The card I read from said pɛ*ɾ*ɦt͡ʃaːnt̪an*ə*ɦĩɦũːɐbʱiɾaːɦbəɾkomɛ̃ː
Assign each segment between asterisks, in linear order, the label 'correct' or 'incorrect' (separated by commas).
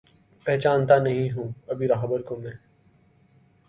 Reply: incorrect, incorrect